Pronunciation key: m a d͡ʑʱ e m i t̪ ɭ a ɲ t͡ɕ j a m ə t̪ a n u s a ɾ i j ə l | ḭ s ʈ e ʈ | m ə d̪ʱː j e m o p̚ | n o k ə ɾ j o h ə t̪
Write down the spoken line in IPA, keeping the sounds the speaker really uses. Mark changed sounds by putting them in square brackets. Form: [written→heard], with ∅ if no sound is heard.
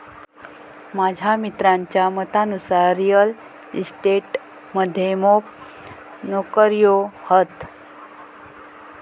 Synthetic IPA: m a d͡ʑʱ [e→a] m i t̪ [ɭ→ɾ] a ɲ t͡ɕ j a m ə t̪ a n u s a ɾ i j ə l | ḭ s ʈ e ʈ | m ə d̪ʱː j e m o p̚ | n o k ə ɾ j o h ə t̪